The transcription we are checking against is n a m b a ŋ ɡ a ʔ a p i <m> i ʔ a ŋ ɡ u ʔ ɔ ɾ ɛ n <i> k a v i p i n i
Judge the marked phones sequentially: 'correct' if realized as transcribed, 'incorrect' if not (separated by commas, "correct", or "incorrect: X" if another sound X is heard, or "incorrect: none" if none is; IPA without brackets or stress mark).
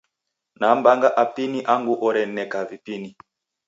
incorrect: n, incorrect: ɛ